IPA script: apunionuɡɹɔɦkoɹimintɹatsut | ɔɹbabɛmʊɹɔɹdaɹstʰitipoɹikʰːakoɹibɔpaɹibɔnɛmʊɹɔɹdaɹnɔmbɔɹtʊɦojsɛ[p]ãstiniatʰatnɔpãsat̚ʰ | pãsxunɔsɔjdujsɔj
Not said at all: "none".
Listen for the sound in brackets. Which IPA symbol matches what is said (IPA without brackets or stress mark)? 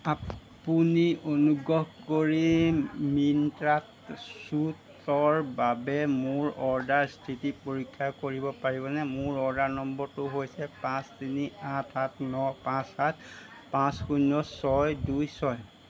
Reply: p